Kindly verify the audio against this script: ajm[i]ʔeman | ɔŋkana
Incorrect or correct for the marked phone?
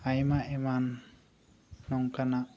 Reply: incorrect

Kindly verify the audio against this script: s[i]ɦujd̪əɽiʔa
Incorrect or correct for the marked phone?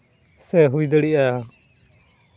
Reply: incorrect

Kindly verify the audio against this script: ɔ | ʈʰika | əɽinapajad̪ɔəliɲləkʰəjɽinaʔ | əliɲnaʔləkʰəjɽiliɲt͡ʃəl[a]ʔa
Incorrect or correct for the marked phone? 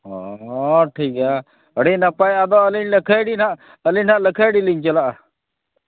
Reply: correct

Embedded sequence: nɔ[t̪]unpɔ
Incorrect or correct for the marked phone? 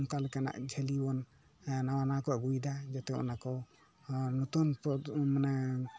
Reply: correct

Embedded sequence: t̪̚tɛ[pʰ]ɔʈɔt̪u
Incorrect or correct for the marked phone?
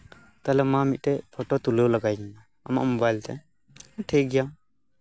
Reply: correct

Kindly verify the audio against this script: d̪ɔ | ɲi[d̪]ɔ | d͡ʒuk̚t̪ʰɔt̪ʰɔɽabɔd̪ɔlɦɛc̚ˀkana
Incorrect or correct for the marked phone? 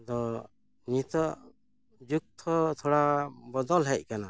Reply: incorrect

